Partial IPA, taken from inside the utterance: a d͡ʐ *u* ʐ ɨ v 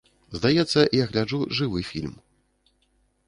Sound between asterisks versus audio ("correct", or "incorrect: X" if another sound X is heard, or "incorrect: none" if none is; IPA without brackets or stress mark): correct